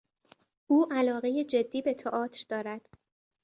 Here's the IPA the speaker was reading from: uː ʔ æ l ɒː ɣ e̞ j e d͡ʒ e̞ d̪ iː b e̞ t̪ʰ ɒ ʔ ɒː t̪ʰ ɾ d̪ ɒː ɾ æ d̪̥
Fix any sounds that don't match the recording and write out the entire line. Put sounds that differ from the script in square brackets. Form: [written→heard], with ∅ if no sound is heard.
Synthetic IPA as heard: uː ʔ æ l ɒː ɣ e̞ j e d͡ʒ e̞ [d̪→d̪ː] iː b e̞ t̪ʰ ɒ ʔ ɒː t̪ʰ ɾ d̪ ɒː ɾ æ d̪̥